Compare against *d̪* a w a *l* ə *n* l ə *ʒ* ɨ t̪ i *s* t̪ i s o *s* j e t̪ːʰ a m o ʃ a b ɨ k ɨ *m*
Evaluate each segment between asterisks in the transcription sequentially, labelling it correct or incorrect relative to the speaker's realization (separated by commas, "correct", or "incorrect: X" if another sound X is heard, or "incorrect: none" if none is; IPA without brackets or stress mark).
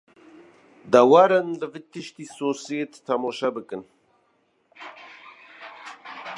correct, incorrect: ɾ, correct, incorrect: v, incorrect: ʃ, correct, incorrect: n